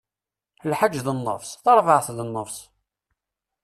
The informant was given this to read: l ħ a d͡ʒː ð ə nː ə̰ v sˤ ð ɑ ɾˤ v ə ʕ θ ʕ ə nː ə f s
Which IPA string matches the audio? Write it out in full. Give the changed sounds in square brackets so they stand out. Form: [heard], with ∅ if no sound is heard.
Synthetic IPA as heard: l ħ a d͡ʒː ð ə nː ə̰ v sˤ [θ] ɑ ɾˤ v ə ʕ θ [ð] ə nː ə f s